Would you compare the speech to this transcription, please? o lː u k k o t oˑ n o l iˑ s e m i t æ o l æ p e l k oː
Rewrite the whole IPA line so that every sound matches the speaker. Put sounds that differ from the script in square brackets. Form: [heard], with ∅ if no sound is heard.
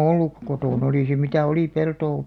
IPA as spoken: o lː u k k o t oˑ n o l iˑ s e m i t æ o l [i] p e l [t] oː